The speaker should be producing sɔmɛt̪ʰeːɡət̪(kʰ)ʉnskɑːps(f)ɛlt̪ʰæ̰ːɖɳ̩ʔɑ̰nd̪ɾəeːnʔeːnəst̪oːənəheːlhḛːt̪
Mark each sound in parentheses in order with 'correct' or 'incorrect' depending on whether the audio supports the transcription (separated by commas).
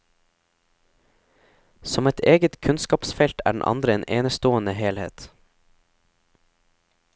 correct, correct